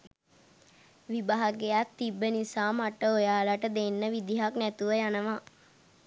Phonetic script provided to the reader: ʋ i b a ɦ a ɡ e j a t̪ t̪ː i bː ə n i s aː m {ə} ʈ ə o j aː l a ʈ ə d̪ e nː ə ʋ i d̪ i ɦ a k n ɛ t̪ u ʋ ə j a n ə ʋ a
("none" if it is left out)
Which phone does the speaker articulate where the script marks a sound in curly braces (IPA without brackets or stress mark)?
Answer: a